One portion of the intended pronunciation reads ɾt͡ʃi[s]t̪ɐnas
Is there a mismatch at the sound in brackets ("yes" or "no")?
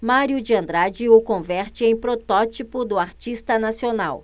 no